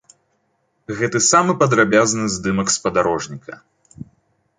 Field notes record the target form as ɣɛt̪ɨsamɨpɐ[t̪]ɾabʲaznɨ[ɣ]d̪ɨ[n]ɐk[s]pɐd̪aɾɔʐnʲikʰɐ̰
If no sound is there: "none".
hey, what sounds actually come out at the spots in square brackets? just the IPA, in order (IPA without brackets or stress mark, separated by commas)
d̪, z, m, s